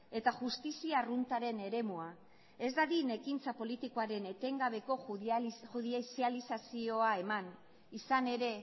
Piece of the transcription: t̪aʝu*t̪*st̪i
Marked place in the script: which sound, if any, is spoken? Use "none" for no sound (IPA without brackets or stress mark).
none